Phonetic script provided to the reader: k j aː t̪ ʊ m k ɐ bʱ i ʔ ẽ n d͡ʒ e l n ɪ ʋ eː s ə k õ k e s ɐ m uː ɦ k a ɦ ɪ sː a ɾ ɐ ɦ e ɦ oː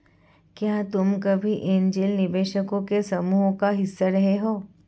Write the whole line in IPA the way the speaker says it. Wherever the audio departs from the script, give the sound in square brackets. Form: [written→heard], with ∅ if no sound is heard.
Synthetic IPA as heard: k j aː t̪ ʊ m k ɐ bʱ i ʔ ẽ n d͡ʒ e l n ɪ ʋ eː [s→ʃ] ə k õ k e s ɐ m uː ɦ k a ɦ ɪ sː a ɾ ɐ ɦ e ɦ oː